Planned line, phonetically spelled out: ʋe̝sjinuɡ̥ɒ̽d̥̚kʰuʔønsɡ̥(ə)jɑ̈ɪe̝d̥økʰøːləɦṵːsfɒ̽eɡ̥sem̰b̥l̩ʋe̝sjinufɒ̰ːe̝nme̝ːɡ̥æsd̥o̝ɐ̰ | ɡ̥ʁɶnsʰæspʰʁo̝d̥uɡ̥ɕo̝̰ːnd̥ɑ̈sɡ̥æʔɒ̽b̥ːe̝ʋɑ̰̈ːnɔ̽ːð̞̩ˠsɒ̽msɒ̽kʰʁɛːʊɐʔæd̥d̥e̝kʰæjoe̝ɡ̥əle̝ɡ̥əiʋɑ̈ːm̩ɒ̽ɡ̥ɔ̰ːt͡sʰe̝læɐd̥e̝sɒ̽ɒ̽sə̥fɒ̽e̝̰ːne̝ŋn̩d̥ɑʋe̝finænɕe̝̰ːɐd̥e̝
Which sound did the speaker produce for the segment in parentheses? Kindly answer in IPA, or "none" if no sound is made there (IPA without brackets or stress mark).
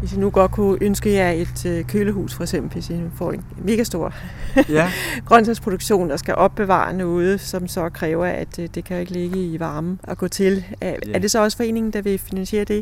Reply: ə